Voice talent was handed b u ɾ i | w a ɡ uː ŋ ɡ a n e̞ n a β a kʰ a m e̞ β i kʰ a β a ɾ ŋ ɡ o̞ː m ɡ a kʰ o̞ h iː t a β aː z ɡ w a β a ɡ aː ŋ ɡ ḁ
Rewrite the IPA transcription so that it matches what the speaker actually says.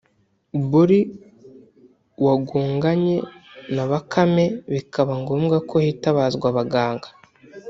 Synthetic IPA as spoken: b u ɾ i | w a ɡ uː ŋ ɡ a ɲ e̞ n a β a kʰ a m e̞ β i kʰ a β a ŋ ɡ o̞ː m ɡ a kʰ o̞ h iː t a β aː z ɡ w a β a ɡ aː ŋ ɡ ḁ